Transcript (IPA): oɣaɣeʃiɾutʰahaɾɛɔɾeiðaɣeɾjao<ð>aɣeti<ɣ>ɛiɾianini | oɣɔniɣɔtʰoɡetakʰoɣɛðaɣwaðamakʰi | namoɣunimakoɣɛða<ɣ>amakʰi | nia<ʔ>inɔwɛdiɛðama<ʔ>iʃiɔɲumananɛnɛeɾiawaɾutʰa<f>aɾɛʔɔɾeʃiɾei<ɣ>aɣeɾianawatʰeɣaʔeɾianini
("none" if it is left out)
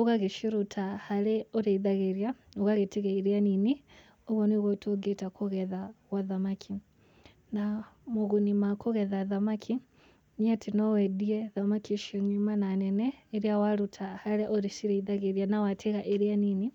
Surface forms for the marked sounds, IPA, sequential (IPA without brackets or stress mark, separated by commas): ɣ, ɣ, ð, t, k, h, ð